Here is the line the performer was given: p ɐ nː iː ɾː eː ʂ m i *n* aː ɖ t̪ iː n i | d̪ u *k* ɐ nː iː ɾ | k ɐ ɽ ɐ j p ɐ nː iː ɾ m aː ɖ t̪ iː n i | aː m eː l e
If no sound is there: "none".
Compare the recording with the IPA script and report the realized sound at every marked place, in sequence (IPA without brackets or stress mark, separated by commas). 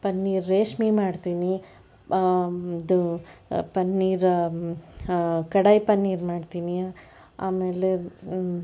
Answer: m, p